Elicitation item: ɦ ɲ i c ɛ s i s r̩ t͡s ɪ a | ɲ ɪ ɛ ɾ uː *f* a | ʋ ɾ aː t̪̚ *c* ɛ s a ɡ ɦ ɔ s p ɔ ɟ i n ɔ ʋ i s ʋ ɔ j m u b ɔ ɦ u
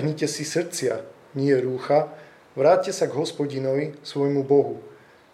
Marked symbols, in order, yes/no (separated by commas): no, yes